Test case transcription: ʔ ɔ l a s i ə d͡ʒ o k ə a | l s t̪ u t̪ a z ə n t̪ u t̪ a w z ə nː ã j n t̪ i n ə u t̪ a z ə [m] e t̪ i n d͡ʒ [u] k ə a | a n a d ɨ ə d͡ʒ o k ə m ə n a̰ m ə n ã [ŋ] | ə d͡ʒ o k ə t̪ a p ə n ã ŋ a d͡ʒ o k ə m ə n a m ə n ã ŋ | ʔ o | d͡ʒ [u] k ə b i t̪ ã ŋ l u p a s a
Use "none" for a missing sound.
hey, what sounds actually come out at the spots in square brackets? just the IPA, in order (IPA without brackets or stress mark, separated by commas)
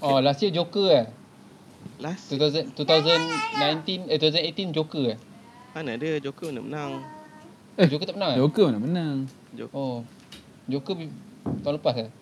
n, o, ŋ, o